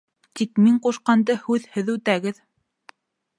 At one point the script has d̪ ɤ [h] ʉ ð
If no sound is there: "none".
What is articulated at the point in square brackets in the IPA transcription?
h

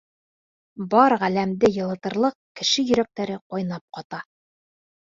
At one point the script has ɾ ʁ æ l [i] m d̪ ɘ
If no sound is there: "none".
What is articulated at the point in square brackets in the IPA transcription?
æ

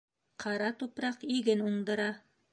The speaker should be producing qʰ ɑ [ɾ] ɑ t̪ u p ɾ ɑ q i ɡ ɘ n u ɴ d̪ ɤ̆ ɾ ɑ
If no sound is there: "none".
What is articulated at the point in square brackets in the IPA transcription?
ɾ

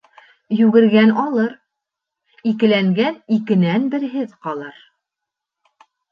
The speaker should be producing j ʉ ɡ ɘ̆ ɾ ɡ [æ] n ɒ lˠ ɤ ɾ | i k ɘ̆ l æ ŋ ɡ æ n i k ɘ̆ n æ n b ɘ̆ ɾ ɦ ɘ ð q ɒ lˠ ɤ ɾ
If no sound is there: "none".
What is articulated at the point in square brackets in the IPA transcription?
æ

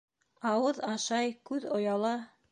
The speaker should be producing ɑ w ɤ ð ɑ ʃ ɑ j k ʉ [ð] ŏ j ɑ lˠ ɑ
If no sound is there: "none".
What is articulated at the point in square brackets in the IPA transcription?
ð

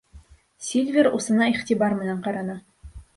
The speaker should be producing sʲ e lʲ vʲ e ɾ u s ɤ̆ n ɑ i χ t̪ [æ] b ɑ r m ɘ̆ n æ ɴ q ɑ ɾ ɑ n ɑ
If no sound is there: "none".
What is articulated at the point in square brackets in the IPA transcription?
i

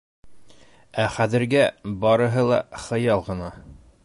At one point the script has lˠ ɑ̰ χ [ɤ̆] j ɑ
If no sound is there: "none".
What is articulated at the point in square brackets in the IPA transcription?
ɤ̆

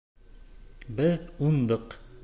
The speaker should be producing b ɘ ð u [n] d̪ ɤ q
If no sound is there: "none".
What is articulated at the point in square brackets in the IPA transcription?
n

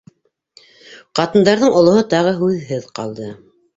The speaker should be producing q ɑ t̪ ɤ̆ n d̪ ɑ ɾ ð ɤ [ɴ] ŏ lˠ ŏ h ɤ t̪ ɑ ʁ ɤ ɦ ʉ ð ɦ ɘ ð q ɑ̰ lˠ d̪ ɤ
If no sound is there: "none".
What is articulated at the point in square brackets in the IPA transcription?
ɴ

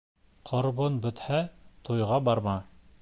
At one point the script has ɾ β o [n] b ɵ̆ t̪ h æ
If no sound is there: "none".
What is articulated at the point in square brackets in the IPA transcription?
n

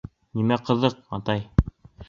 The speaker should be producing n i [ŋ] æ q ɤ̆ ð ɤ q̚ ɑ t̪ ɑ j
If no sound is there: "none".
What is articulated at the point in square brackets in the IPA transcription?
m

